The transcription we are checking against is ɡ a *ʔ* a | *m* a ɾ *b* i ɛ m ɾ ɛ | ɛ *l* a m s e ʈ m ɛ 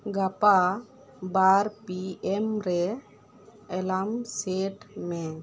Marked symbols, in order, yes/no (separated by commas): no, no, no, yes